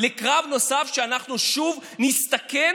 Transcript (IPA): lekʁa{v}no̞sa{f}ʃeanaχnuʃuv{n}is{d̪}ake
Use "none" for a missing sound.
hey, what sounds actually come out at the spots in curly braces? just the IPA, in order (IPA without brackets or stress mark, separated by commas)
v, f, n, t̪